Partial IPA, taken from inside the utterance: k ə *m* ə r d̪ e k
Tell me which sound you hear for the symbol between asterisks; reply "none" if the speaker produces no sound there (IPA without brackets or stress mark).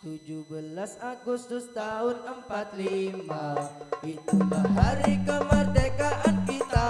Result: m